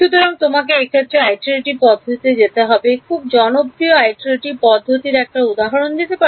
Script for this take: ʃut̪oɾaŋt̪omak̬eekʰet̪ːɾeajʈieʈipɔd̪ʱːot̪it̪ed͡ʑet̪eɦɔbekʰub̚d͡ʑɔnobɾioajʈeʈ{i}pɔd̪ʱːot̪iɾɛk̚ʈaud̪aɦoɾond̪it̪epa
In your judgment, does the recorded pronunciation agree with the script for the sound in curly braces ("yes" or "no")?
yes